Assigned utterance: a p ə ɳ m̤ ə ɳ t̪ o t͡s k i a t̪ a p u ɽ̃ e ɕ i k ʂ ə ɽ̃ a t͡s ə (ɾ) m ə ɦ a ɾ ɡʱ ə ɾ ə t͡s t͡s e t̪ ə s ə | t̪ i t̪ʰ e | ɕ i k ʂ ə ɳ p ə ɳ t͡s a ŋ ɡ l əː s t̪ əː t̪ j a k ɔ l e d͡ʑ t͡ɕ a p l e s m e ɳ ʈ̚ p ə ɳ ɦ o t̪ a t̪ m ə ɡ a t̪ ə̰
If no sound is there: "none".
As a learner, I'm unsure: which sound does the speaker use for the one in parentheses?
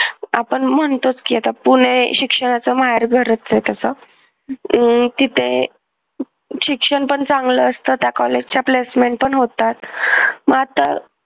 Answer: none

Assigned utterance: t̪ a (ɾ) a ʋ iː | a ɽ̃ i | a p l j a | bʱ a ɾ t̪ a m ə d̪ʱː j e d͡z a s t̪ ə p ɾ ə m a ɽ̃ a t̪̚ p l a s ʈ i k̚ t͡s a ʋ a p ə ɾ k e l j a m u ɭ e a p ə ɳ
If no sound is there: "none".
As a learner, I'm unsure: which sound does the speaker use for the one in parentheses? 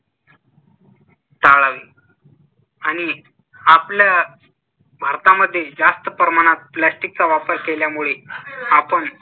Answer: ɭ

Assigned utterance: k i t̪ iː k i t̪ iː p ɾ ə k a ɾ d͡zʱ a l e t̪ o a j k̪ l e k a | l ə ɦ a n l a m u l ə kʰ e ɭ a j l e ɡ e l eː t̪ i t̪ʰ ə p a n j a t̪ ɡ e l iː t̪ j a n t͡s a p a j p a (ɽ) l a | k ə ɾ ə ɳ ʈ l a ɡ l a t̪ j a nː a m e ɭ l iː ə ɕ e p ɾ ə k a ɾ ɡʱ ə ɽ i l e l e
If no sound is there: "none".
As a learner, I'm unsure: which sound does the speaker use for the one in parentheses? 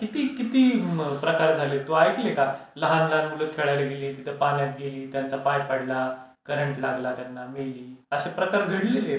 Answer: ɽ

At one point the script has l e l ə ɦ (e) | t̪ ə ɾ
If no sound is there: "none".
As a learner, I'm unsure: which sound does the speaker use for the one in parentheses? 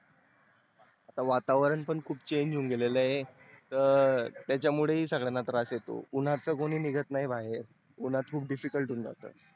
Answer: e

